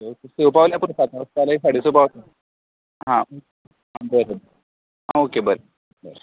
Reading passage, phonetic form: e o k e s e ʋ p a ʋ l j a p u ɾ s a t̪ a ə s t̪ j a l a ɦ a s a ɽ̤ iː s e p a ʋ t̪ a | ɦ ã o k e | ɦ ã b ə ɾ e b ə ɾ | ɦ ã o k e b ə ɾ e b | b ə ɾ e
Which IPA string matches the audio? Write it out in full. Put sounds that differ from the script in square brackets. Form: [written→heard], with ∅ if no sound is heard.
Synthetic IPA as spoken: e o k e s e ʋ p a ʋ l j a p u ɾ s a t̪ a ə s t̪ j a l a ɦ [a→i] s a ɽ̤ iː s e p a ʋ t̪ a | ɦ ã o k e | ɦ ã b ə ɾ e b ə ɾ | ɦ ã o k e b ə ɾ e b | b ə ɾ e